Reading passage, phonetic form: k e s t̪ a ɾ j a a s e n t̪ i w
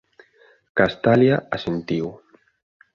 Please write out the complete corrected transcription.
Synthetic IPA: k a s t̪ a l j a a s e n t̪ i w